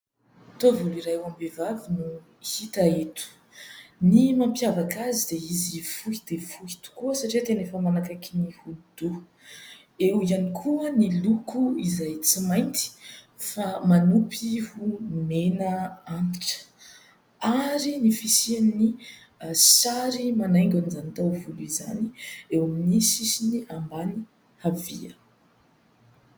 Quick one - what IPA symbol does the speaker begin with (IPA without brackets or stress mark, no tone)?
t̪